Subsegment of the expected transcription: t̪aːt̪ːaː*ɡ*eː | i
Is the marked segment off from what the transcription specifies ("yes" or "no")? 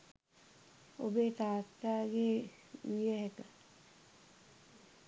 no